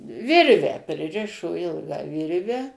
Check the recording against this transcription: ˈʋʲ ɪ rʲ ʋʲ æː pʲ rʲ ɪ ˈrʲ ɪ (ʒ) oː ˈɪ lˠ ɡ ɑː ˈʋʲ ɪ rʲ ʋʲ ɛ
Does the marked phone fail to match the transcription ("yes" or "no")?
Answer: yes